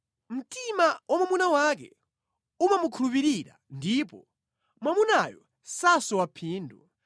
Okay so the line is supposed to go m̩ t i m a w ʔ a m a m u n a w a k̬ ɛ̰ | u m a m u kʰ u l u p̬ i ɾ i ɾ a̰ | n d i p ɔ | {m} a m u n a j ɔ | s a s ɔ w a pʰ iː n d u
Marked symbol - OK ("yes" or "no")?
yes